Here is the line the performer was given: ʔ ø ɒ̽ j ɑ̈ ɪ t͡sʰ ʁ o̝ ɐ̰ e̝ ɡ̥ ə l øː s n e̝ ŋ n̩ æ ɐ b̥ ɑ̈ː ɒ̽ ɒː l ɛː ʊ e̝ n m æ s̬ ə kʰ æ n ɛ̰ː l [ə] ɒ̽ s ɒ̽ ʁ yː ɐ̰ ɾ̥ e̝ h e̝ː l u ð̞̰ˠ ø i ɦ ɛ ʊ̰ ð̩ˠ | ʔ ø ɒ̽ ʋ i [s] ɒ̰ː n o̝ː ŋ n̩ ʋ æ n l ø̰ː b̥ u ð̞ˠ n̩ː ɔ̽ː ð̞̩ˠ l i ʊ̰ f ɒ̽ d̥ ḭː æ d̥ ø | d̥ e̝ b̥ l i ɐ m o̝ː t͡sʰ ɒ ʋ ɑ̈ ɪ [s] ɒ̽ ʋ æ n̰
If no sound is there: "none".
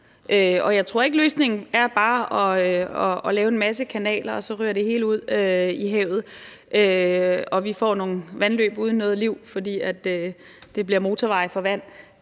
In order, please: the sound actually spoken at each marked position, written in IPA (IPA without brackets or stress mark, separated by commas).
ɐ, f, f